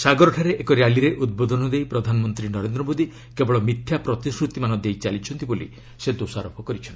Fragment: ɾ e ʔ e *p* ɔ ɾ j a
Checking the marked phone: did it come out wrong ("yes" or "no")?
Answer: yes